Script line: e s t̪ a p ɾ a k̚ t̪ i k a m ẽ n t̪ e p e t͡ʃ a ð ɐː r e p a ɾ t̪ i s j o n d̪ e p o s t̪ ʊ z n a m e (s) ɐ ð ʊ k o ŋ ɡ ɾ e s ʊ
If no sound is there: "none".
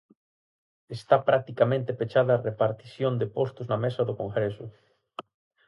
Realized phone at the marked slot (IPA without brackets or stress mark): s